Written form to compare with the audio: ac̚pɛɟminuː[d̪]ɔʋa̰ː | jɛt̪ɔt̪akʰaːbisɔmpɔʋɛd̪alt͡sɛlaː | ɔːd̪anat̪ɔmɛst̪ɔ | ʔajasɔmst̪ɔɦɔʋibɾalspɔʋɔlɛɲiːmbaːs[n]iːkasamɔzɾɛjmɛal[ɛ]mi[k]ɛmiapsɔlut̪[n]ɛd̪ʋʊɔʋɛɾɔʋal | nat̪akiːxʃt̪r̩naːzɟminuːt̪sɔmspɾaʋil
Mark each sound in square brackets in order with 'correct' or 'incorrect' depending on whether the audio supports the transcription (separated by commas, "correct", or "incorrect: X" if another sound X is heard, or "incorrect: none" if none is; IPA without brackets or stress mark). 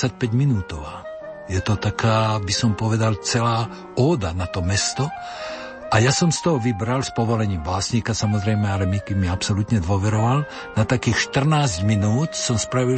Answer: incorrect: t̪, incorrect: ɲ, correct, correct, incorrect: ɲ